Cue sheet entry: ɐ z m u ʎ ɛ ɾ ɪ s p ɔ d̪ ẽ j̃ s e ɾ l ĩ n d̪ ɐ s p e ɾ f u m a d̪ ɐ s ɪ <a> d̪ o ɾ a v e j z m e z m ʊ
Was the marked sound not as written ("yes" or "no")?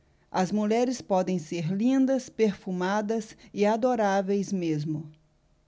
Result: no